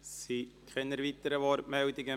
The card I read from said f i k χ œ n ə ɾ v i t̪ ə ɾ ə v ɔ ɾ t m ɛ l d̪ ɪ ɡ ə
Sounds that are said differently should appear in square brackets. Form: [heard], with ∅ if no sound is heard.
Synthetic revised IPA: [s] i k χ [ɛ] n ə ɾ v i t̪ ə ɾ ə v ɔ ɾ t m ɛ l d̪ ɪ ɡ ə